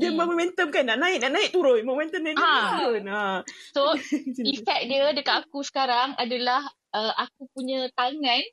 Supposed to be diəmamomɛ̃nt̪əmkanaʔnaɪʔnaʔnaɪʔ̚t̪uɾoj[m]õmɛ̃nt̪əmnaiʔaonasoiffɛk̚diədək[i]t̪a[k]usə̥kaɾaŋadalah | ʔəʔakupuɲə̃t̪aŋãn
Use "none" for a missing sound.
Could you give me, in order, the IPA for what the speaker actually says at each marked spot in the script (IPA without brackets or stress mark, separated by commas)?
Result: m, a, k